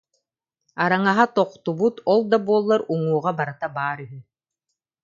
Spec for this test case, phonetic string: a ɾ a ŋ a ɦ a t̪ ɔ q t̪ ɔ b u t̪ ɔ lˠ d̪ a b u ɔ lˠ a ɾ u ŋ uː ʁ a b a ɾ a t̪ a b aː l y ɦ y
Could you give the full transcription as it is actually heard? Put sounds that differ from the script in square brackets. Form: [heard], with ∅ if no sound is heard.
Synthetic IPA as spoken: a ɾ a ŋ a ɦ a t̪ ɔ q t̪ [u] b u t̪ ɔ lˠ d̪ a b u ɔ [lˠː] a ɾ u ŋ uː ʁ a b a ɾ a t̪ a b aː [ɾ] y ɦ y